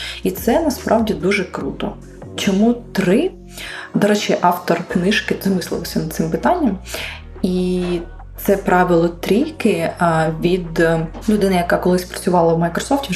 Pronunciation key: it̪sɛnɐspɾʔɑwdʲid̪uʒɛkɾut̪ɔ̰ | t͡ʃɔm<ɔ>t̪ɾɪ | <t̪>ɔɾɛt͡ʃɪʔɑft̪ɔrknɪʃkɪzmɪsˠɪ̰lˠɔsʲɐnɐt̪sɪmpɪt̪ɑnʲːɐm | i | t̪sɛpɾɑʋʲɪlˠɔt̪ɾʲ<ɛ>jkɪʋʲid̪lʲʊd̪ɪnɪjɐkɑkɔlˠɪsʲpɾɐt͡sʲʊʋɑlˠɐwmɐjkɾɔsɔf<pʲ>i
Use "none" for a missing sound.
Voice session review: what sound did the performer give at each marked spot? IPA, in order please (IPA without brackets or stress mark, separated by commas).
u, d̪, i, tʲ